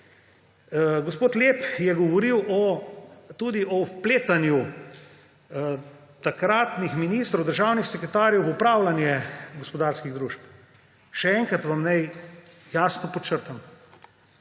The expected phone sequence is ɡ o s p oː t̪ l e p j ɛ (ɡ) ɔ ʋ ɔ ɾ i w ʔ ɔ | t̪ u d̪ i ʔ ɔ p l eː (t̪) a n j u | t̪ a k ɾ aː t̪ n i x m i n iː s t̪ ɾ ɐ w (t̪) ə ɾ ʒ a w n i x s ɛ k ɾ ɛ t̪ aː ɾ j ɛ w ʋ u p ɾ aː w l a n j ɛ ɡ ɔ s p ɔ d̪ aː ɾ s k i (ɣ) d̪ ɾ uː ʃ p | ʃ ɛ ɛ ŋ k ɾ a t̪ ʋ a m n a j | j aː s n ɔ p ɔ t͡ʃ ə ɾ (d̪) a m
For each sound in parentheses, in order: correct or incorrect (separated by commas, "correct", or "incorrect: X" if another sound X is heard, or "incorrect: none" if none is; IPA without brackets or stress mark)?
correct, correct, incorrect: d̪, correct, incorrect: t̪